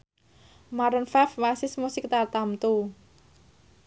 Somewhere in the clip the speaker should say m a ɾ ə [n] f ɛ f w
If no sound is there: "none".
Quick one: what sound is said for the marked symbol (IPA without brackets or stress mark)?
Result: n